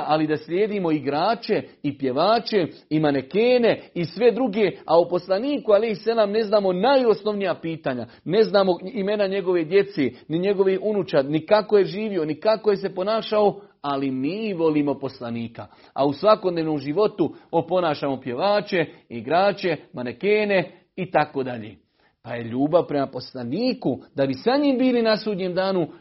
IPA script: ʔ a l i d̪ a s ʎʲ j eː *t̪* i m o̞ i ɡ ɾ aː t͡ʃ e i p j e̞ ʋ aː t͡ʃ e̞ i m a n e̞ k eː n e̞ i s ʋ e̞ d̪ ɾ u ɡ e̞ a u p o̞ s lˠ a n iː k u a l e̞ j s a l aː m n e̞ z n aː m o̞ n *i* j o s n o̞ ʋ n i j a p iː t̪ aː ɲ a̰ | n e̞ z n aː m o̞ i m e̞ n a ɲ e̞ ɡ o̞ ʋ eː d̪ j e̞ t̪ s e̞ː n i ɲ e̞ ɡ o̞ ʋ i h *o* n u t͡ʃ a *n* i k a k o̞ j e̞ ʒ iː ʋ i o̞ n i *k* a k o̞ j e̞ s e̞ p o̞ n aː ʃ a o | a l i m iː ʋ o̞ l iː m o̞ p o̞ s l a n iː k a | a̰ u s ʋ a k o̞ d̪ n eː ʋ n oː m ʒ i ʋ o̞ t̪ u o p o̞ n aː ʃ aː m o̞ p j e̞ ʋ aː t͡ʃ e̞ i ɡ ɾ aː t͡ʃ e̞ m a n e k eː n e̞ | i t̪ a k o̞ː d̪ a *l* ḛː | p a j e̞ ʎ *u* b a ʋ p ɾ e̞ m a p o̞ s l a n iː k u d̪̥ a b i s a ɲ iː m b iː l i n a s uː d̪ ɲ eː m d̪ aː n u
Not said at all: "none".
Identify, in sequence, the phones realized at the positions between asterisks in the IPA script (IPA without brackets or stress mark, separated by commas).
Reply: d̪, a, u, n, k, ʎ, uː